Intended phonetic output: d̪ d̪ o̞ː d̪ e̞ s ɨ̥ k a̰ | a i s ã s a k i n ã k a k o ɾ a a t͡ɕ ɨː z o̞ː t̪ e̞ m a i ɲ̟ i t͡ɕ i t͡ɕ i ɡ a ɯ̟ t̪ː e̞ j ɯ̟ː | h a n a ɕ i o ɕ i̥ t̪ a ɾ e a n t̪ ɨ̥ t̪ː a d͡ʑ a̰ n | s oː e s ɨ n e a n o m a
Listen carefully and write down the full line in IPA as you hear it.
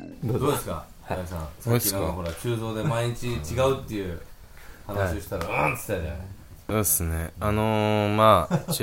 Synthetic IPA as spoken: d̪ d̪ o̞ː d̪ e̞ s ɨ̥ k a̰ | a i s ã s a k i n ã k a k o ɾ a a t͡ɕ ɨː z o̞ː d̪ e̞ m a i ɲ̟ i t͡ɕ i t͡ɕ i ɡ a ɯ̟ t̪ː e̞ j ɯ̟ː | h a n a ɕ i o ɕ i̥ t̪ a ɾ a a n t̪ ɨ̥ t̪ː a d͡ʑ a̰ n | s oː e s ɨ n e a n o m a